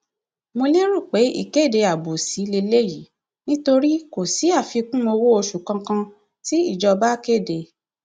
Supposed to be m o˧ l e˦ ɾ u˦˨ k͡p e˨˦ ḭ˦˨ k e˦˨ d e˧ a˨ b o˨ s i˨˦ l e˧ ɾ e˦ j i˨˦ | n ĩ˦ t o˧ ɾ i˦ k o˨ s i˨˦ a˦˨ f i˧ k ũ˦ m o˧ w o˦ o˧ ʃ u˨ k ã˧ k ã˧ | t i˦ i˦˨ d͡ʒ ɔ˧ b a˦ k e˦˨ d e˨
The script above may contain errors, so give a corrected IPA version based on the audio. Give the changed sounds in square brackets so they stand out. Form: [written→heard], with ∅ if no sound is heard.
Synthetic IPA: m o˧ l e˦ ɾ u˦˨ k͡p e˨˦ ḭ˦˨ k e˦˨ d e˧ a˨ b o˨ s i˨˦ l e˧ [ɾ→l] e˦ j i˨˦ | n ĩ˦ t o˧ ɾ i˦ k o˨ s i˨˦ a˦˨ f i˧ k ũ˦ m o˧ w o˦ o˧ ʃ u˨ k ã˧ k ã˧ | t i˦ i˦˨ d͡ʒ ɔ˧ b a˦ k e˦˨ d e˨